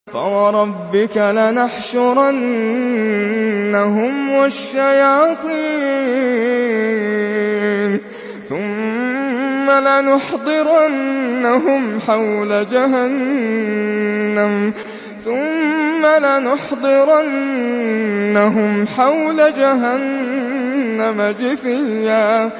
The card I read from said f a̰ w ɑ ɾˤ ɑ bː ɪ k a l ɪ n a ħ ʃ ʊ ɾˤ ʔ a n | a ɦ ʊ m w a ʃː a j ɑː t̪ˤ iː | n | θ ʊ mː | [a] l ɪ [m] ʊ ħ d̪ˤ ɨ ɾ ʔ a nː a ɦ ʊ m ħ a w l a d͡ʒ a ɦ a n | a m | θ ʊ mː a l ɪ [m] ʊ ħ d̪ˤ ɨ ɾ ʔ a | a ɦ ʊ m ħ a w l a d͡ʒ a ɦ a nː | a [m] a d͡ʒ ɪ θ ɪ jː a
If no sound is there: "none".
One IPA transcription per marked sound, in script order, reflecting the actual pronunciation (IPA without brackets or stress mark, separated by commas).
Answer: a, n, n, m